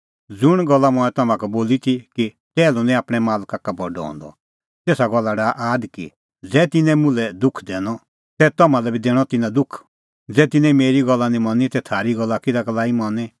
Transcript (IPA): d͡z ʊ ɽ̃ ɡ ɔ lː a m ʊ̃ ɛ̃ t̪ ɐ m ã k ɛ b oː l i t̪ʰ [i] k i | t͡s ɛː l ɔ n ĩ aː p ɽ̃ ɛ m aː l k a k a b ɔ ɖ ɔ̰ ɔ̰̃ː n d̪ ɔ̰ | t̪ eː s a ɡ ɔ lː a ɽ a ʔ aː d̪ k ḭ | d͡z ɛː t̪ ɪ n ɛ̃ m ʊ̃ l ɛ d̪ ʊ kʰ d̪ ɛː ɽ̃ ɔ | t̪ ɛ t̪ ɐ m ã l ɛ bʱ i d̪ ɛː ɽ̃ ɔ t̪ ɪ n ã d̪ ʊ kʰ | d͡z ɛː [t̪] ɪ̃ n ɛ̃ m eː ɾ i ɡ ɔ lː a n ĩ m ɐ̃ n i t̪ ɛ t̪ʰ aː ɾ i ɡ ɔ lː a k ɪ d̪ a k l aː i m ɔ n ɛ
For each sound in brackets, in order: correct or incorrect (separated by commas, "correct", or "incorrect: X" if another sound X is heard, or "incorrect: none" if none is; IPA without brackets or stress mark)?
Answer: correct, correct